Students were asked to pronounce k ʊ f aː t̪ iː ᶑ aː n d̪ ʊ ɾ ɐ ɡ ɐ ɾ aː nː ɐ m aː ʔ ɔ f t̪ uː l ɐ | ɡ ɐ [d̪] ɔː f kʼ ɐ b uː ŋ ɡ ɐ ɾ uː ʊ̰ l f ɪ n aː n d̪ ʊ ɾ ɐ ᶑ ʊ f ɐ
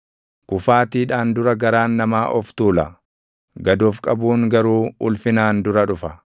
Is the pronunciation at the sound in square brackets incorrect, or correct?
correct